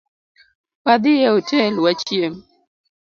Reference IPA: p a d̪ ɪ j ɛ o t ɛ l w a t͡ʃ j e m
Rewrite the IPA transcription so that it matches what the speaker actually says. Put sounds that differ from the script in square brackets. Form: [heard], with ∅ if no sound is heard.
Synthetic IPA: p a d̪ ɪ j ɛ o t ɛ l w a t͡ʃ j e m